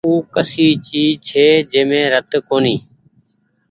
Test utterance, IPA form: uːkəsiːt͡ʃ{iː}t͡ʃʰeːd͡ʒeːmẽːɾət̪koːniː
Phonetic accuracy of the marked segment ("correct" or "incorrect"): correct